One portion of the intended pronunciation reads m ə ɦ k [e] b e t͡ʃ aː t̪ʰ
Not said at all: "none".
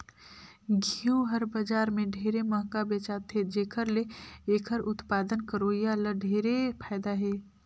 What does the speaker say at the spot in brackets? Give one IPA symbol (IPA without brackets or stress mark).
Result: a